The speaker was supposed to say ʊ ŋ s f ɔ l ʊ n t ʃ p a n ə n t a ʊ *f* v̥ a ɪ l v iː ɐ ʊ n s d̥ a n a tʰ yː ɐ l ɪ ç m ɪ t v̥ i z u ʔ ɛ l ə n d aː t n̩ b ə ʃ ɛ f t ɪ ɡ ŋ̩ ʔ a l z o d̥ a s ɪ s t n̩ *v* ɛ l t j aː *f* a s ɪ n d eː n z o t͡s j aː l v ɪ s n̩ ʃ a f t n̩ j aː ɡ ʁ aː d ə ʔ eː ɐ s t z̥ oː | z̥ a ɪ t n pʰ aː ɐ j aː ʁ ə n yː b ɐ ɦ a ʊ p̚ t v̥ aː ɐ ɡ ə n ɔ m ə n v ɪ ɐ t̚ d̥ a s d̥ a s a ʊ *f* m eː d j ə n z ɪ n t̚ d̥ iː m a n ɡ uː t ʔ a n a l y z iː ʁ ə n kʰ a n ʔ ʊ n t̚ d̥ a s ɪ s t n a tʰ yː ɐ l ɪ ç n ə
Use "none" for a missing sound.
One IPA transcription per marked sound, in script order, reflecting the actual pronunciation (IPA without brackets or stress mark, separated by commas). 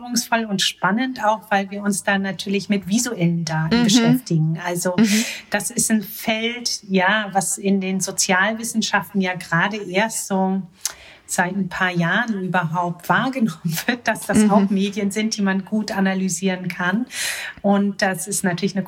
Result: x, f, v, x